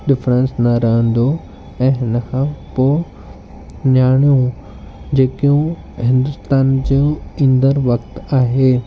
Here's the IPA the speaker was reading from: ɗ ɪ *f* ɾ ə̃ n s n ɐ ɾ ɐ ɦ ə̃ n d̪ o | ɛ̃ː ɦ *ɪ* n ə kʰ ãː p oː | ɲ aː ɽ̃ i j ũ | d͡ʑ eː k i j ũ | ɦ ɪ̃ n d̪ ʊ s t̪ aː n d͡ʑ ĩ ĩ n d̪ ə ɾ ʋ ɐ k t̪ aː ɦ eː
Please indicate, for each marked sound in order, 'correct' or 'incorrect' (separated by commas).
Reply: correct, correct